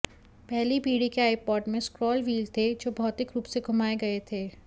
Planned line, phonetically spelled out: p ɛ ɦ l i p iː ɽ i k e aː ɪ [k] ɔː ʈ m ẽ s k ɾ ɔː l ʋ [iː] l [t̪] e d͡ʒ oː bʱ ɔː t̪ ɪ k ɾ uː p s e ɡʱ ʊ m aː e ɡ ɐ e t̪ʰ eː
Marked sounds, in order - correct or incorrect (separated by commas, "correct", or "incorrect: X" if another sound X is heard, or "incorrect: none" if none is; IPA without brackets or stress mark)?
incorrect: p, correct, incorrect: t̪ʰ